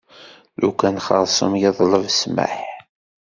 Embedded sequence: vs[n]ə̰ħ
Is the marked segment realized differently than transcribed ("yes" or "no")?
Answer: yes